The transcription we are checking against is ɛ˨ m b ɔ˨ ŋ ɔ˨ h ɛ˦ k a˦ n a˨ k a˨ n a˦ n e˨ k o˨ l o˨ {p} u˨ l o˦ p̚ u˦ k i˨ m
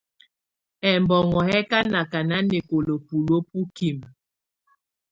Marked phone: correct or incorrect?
correct